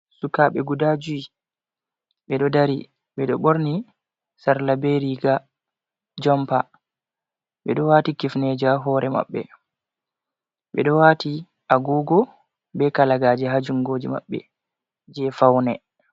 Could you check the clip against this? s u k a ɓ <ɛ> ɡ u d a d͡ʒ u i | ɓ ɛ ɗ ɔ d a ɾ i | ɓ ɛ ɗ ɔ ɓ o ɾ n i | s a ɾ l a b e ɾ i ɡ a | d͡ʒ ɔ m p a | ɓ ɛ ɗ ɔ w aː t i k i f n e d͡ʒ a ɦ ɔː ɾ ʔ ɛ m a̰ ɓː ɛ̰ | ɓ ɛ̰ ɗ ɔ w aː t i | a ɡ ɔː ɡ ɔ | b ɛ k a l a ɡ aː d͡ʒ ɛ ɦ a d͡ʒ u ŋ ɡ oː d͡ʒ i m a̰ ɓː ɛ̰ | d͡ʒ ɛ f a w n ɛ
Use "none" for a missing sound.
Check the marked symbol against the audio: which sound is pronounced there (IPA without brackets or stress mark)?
ɛ